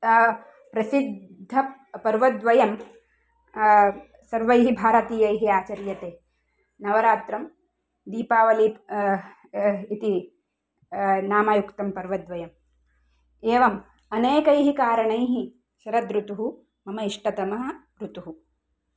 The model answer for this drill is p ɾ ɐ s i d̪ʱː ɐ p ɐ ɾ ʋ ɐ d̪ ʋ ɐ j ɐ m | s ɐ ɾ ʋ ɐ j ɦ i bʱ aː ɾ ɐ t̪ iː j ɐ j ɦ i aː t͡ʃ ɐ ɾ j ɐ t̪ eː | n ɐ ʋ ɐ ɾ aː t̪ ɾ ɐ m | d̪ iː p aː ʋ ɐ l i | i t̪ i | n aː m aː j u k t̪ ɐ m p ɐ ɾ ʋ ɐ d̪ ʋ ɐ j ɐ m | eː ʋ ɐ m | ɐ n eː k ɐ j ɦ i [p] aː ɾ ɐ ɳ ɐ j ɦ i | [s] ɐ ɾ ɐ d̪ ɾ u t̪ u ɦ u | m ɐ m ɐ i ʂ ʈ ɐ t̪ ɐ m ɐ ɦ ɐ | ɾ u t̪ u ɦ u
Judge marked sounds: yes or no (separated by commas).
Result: no, no